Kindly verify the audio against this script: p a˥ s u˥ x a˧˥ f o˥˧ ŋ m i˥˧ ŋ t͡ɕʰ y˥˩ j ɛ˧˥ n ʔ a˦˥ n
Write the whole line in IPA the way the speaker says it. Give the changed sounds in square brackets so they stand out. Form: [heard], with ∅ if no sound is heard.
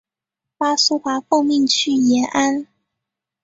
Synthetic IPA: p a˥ s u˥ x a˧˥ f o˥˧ ŋ m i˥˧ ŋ t͡ɕʰ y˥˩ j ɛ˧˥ n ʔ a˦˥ n